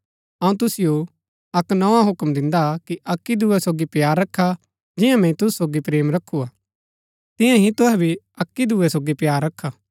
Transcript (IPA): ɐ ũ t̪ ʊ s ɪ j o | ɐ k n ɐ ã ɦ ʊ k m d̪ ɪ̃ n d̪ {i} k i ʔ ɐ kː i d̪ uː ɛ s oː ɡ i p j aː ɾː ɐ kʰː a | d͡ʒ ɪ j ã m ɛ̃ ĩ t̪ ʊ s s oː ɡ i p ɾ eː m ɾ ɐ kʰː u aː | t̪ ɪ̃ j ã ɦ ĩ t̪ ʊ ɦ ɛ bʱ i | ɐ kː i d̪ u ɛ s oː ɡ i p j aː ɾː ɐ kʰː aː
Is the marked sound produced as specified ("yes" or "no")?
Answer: no